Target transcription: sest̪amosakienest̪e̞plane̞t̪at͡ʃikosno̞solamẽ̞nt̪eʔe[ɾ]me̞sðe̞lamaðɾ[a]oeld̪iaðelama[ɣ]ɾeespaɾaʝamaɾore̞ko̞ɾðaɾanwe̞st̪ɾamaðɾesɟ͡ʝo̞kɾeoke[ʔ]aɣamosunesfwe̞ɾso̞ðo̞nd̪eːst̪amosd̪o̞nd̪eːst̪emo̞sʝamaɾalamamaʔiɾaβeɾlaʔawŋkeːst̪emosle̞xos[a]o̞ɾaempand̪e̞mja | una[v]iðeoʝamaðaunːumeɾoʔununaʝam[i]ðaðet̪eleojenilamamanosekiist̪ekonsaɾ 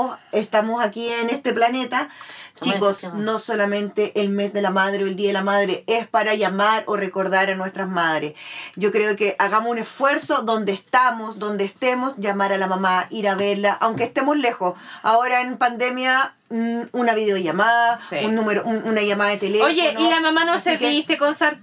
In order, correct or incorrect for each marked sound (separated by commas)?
incorrect, incorrect, incorrect, correct, correct, incorrect, incorrect